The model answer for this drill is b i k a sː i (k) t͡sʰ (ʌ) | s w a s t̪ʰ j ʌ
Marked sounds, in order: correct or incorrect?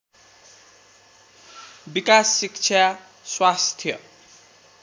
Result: correct, incorrect: a

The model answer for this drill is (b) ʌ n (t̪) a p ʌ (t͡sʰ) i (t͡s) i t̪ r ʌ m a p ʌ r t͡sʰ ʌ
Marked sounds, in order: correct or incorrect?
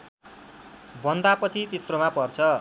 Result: correct, incorrect: d̪, correct, correct

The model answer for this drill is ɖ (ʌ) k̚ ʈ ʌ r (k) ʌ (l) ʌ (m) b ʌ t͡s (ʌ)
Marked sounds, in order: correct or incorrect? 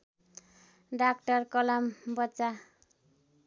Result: incorrect: a, correct, correct, correct, incorrect: a

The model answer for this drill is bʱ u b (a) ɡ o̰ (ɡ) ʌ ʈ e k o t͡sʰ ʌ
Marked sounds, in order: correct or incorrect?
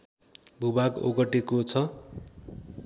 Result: correct, correct

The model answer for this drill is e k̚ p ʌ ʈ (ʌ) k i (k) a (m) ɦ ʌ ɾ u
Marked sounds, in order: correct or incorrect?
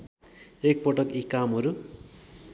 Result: correct, correct, correct

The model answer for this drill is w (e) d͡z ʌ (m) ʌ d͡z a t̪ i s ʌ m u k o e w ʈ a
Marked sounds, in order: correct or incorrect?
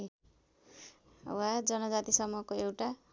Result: incorrect: a, incorrect: n

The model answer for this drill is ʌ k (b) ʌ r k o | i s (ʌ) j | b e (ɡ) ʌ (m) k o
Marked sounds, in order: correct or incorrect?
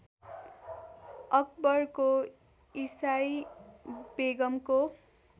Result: correct, incorrect: a, correct, correct

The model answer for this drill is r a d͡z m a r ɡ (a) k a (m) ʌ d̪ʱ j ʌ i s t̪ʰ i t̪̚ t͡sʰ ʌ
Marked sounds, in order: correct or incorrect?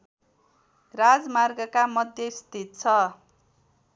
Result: incorrect: ʌ, correct

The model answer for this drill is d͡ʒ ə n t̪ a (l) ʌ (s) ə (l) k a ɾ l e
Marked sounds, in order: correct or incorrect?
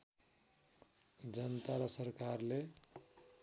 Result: incorrect: ɾ, correct, incorrect: ɾ

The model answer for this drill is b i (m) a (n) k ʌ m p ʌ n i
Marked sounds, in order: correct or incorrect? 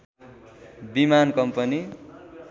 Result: correct, correct

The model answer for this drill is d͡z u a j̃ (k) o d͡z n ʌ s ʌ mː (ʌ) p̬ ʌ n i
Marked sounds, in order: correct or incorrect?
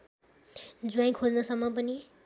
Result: incorrect: kʰ, correct

